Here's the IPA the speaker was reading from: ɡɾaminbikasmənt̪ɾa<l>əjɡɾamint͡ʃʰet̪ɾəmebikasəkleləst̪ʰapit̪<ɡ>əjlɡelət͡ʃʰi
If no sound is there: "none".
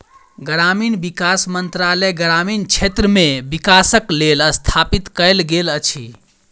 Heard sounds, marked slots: l, k

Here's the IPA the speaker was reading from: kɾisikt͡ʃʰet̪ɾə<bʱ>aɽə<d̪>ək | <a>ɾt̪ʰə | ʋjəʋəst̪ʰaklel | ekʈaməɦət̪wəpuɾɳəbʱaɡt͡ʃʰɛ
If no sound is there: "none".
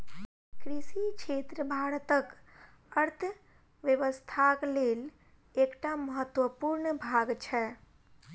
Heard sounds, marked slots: bʱ, t̪, ə

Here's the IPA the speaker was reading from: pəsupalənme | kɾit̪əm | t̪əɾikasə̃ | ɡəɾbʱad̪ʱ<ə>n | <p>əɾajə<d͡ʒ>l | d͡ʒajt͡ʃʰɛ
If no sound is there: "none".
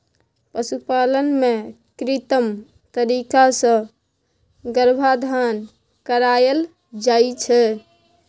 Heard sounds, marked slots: a, k, none

